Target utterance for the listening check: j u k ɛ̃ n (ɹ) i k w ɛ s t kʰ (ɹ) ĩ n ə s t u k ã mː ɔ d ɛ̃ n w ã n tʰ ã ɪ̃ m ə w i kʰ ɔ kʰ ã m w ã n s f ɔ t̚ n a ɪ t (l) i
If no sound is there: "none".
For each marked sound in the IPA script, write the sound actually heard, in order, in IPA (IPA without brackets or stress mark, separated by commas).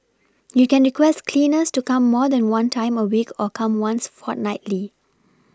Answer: ɹ, l, l